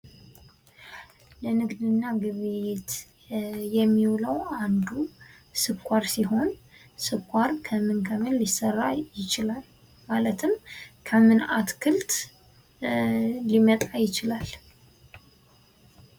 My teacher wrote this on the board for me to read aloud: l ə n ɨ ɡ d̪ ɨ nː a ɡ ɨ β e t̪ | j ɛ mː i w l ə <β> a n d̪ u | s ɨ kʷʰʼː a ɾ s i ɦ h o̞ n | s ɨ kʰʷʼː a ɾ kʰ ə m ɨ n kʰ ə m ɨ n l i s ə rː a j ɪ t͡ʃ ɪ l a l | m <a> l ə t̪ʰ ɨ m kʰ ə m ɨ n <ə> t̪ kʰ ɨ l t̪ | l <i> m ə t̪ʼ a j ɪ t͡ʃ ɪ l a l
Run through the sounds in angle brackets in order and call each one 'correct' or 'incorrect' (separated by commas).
incorrect, correct, incorrect, correct